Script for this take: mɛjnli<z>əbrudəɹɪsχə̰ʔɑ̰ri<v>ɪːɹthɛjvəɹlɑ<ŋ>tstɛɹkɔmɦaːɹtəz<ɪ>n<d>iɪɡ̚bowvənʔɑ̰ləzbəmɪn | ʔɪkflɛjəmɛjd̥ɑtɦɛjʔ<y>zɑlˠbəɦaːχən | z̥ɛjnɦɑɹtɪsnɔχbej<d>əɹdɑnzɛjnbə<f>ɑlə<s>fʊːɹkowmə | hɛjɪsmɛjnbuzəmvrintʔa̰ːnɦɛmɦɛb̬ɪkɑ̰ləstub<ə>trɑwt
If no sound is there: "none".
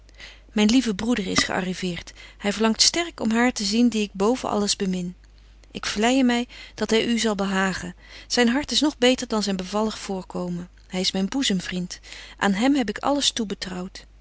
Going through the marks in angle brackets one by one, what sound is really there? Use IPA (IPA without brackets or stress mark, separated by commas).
v, v, ŋ, i, d, y, t, v, χ, ə